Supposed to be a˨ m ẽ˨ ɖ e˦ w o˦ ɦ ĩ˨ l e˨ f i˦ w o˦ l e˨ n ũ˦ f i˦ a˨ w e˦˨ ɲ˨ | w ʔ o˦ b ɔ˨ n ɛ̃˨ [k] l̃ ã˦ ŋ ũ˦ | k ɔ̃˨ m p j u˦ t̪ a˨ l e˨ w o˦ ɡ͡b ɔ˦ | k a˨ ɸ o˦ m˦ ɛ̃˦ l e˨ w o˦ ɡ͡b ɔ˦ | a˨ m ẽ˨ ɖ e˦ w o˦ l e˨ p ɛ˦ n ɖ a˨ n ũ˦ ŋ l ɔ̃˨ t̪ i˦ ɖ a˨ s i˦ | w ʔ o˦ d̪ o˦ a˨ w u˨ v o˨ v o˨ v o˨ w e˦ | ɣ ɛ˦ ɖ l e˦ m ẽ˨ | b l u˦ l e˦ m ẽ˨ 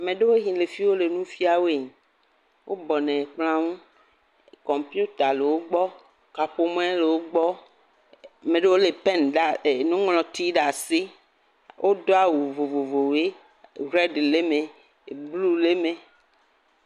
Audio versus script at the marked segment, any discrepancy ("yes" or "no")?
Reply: yes